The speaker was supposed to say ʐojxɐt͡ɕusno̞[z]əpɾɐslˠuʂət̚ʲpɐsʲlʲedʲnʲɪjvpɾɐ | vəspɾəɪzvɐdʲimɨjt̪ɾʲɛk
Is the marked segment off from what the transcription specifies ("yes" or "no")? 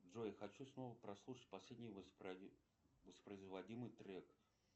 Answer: yes